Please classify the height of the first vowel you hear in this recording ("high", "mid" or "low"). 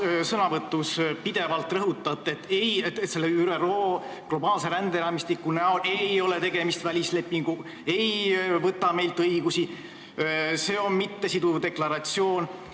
mid